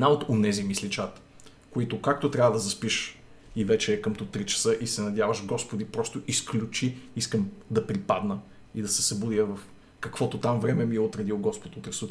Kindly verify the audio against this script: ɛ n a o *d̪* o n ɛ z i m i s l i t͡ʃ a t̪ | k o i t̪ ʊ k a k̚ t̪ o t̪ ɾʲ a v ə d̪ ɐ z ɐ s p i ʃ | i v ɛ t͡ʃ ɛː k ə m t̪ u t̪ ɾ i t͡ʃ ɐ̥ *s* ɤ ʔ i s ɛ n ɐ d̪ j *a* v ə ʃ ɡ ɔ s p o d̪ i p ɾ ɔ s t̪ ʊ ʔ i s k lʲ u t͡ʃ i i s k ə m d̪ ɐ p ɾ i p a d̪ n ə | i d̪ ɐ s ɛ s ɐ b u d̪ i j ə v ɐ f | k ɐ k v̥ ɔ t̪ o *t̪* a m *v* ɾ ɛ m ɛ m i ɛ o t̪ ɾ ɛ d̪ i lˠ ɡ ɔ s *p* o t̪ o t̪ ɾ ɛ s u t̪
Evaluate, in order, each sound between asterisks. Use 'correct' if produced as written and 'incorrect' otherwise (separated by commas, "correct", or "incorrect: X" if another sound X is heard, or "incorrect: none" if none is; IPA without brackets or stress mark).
incorrect: t̪, correct, correct, correct, correct, correct